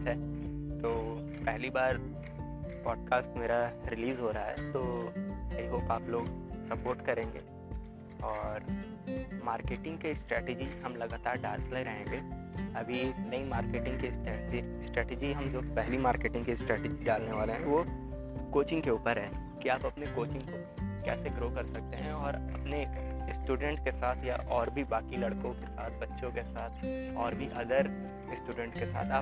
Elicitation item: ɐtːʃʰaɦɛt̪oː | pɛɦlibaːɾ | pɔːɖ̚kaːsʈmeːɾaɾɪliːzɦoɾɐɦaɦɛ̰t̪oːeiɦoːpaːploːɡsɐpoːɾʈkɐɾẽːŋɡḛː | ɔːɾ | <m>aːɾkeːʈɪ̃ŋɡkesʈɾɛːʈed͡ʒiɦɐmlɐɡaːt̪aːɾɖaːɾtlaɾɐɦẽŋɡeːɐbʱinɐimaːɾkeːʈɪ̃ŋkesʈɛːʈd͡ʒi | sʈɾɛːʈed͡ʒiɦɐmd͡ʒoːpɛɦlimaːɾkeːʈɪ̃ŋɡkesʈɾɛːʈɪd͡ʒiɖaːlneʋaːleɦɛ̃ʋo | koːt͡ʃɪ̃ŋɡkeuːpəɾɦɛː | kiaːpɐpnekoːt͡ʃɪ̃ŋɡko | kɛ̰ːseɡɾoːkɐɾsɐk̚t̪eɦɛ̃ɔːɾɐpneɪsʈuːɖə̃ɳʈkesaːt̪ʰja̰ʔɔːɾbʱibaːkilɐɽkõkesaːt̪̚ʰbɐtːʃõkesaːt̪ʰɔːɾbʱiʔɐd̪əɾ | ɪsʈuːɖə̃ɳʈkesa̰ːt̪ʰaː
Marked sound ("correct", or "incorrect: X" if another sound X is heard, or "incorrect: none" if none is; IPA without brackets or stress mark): correct